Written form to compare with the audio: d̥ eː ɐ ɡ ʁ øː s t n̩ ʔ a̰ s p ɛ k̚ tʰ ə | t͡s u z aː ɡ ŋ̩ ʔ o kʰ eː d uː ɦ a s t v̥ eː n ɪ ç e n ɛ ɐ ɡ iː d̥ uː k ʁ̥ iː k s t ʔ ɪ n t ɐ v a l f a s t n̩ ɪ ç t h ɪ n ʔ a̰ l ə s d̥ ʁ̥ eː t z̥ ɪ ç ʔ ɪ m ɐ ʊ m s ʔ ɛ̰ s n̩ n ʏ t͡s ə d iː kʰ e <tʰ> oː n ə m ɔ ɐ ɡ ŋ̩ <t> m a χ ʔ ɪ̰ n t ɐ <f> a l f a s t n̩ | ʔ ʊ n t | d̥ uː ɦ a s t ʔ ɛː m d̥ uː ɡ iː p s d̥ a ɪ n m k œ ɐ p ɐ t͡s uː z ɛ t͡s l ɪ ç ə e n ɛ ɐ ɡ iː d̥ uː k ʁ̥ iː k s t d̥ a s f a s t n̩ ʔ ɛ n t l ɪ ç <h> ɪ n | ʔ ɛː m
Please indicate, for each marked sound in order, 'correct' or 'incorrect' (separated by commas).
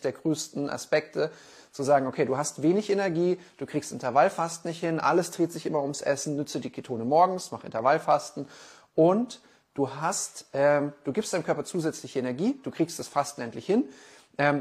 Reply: correct, incorrect, incorrect, correct